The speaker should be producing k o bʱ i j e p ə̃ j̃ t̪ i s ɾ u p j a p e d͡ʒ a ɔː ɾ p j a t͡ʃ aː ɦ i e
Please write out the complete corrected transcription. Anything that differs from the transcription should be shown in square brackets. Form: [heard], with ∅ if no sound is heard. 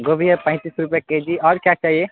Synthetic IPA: [ɡ] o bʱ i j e p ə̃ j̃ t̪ i s ɾ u p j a [k] e d͡ʒ [i] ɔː ɾ [k] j a t͡ʃ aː ɦ i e